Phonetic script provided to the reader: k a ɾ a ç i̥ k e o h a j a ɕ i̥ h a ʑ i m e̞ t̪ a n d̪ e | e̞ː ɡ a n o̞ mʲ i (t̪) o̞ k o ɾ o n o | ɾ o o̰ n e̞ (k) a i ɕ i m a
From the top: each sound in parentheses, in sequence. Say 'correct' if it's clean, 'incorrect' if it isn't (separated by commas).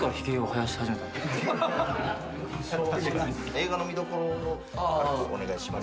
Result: incorrect, incorrect